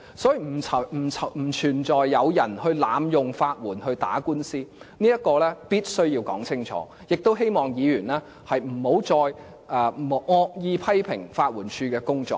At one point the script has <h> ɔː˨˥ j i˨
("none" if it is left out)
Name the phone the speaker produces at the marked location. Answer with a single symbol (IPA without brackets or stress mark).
s